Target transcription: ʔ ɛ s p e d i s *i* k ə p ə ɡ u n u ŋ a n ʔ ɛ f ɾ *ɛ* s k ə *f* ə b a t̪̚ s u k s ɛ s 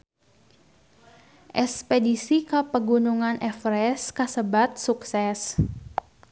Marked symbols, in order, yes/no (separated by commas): yes, yes, no